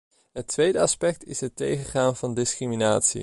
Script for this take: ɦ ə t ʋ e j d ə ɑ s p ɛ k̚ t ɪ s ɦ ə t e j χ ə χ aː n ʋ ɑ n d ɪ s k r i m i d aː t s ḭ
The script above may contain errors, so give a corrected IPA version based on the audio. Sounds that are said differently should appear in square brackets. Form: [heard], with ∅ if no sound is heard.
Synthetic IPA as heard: ɦ ə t ʋ e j d ə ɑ s p ɛ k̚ t ɪ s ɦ ə t e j χ ə χ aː n [v] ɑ n d ɪ s k r i m i [n] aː t s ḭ